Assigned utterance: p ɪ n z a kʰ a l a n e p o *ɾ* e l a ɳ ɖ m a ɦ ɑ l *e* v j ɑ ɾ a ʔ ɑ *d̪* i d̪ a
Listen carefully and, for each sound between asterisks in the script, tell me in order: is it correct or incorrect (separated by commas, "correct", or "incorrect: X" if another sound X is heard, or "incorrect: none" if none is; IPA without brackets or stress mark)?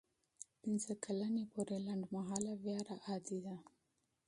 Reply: correct, incorrect: a, correct